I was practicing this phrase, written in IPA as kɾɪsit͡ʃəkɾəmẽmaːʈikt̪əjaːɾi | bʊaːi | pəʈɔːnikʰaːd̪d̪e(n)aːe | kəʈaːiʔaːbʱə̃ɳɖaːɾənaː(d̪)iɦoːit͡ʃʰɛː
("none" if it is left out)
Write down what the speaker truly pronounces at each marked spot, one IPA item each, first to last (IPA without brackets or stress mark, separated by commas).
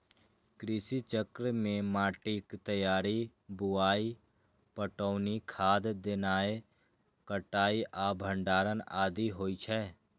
n, d̪